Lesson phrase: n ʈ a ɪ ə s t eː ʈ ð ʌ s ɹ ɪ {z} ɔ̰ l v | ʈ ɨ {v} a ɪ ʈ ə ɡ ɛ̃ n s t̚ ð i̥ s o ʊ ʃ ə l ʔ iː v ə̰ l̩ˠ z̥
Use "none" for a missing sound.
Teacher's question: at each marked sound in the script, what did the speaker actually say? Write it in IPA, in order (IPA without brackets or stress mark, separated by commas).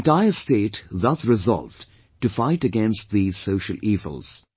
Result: z, f